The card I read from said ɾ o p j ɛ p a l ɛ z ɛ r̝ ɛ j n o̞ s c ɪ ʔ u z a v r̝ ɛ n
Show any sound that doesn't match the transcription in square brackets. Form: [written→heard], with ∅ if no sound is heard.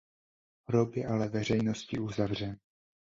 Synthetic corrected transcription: ɾ o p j ɛ [p→ʔ] a l ɛ [z→v] ɛ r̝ ɛ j n o̞ s c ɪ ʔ u z a v r̝ ɛ n